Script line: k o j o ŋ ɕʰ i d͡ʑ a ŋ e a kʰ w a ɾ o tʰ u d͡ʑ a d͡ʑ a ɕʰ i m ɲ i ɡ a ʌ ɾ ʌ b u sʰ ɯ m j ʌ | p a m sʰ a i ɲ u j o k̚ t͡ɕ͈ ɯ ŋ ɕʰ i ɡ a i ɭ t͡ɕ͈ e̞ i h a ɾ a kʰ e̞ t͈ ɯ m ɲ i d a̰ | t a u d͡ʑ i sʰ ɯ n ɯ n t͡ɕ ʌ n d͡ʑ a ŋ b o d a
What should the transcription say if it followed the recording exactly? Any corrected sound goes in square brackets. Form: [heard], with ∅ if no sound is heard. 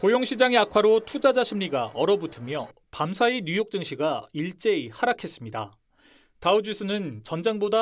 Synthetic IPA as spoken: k o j o ŋ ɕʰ i d͡ʑ a ŋ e a kʰ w a ɾ o tʰ u d͡ʑ a d͡ʑ a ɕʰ i m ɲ i ɡ a ʌ ɾ ʌ b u [tʰ] ɯ m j ʌ | p a m sʰ a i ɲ u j o k̚ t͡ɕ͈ ɯ ŋ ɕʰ i ɡ a i ɭ t͡ɕ͈ e̞ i h a ɾ a kʰ e̞ [s͈] ɯ m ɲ i d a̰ | t a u d͡ʑ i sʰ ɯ n ɯ n t͡ɕ ʌ n d͡ʑ a ŋ b o d a